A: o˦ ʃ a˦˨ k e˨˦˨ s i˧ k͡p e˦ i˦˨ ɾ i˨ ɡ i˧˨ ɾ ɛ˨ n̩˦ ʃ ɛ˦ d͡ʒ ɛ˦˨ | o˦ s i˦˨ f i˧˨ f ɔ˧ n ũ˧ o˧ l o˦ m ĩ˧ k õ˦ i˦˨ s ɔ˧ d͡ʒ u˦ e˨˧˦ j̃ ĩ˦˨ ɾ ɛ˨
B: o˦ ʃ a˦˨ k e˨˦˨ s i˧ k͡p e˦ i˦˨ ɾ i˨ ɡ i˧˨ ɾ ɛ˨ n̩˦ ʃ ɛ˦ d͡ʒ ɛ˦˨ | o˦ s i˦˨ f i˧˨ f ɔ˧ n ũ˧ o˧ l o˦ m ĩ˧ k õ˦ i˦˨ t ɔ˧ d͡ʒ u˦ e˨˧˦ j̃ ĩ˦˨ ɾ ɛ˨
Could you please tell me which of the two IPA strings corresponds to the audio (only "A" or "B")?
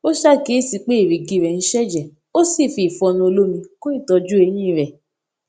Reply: B